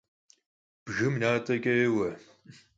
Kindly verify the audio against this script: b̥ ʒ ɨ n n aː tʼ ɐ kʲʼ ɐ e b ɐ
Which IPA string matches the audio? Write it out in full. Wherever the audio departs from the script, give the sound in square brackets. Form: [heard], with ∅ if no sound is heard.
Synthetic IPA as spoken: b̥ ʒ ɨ [m] n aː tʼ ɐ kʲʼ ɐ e [w] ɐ